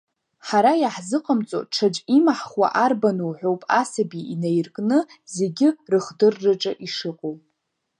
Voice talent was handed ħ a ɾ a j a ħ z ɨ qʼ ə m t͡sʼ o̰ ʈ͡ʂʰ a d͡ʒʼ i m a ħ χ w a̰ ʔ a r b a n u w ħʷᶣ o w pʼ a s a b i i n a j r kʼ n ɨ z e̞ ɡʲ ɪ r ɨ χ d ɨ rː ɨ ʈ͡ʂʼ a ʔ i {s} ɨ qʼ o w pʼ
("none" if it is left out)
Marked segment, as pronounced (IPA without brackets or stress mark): ʂ